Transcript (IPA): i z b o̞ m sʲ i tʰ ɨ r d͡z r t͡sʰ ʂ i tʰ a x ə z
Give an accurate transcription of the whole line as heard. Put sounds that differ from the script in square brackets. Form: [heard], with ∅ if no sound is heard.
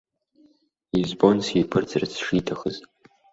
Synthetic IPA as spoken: i z b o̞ [n] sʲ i [pʰ] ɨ r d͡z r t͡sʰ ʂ i tʰ a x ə z